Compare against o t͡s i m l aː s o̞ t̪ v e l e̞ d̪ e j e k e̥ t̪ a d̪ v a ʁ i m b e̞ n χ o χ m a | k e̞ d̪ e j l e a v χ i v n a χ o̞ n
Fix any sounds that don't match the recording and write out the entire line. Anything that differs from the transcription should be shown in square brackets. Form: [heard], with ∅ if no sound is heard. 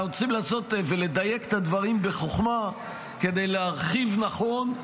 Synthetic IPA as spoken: o t͡s i m l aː s o̞ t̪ v e l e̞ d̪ [a] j e k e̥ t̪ a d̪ v a ʁ i m b e̞ [∅] χ o χ m a | k e̞ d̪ e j l e a [ʁ] χ i v n a χ o̞ n